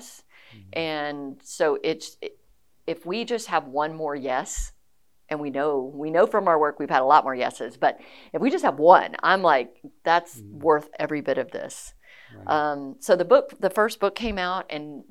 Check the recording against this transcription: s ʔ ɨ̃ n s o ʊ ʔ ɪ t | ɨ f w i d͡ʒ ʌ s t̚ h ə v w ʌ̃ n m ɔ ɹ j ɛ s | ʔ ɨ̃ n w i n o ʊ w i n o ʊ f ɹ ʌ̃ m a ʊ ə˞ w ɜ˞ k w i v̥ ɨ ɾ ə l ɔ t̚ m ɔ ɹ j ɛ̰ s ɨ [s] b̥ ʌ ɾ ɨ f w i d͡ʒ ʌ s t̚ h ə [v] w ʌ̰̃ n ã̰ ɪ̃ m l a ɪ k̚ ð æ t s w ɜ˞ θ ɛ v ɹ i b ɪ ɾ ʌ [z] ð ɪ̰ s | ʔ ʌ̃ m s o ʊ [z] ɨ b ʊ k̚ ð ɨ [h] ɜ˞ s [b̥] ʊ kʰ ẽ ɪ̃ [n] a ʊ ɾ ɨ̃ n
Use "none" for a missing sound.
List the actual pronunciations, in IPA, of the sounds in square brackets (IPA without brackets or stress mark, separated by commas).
z, v, v, ð, f, b̥, m